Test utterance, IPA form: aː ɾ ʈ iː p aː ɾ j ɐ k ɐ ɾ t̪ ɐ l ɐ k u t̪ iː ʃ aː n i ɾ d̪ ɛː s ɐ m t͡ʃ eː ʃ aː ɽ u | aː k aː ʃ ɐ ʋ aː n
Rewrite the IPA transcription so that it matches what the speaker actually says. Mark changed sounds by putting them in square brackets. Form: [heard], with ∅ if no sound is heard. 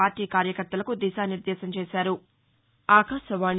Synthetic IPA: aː ɾ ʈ iː [k] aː ɾ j ɐ k ɐ ɾ t̪ ɐ l ɐ k u [d̪] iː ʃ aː n i ɾ d̪ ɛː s ɐ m t͡ʃ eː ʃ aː [ɾ] u | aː k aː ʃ ɐ ʋ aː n